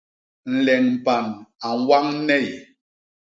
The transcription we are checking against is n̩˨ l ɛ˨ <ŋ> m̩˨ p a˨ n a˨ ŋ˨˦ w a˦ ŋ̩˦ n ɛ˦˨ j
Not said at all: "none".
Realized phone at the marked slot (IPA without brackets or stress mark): ŋ